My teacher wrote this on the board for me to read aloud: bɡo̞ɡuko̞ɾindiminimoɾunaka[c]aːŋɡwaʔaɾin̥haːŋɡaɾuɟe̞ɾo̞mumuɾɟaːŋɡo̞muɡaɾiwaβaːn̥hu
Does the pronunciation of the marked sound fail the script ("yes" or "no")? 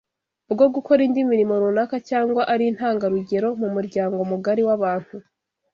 no